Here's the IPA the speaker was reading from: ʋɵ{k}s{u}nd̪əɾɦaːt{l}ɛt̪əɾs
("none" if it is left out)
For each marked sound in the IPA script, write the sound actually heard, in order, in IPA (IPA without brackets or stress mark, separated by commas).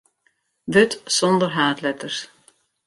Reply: t, ɔ, l